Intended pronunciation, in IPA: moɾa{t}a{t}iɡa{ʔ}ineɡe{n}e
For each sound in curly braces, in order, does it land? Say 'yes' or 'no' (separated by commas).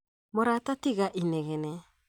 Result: yes, yes, yes, yes